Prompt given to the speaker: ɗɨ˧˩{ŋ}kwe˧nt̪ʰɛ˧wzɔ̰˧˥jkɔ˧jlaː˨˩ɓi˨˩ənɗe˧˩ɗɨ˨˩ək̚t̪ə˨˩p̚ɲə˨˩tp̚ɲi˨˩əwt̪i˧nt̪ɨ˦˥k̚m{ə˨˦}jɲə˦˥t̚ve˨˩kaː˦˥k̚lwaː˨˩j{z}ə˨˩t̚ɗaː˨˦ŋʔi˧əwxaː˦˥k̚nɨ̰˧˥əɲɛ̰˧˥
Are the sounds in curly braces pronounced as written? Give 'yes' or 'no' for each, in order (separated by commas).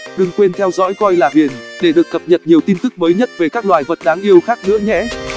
yes, no, no